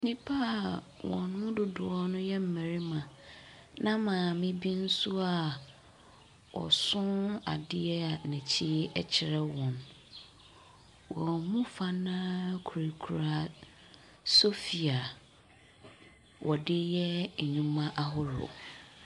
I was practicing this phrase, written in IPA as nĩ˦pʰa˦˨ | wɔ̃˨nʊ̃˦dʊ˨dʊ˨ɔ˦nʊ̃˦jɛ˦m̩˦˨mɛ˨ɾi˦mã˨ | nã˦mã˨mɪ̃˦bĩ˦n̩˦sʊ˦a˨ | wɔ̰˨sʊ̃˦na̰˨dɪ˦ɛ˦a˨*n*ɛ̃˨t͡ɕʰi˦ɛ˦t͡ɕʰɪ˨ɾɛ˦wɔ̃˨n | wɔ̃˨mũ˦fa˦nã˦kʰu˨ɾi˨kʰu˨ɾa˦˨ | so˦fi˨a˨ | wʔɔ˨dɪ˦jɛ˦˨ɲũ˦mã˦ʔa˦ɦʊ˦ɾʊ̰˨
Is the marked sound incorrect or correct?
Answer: correct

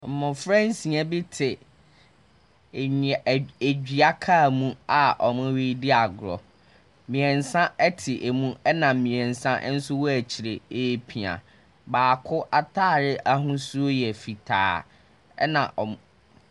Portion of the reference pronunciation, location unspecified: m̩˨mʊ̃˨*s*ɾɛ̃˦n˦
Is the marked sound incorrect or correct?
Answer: incorrect: f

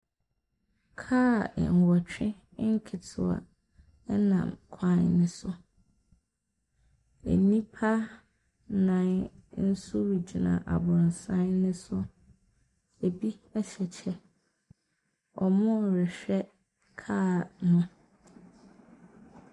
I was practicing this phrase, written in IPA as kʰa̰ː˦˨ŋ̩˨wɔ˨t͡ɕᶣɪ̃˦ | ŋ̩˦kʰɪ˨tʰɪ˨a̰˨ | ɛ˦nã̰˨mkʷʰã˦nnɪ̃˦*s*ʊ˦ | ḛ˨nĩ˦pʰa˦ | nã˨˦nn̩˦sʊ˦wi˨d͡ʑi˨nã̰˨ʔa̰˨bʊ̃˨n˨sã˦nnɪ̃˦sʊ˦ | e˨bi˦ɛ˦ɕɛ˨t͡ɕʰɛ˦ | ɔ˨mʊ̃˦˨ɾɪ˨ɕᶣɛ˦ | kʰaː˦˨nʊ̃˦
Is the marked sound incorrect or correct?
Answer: correct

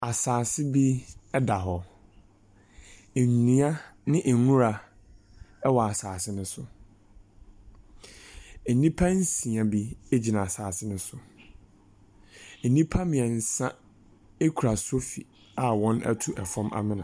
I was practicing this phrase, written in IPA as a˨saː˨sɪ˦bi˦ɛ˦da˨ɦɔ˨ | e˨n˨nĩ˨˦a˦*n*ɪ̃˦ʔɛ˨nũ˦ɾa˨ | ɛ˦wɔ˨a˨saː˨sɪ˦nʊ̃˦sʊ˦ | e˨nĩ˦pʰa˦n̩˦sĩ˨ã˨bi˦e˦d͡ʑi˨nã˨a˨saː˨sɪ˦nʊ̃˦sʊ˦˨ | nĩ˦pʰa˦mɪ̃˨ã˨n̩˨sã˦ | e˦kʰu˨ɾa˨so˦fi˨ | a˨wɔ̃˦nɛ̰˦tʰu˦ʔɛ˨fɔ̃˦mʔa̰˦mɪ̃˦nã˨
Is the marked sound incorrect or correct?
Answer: correct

